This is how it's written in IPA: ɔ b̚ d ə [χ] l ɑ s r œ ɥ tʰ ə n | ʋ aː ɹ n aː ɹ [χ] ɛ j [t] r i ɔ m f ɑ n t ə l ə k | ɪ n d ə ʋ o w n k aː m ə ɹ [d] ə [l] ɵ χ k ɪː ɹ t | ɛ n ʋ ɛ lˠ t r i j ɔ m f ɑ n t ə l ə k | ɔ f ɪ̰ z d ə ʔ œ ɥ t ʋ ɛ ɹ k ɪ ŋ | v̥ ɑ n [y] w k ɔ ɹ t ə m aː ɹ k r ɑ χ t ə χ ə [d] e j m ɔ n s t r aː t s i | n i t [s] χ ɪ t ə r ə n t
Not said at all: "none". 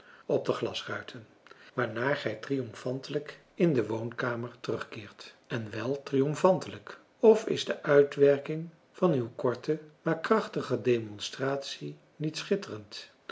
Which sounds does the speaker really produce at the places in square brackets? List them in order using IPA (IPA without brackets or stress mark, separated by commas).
χ, χ, t, t, r, y, d, s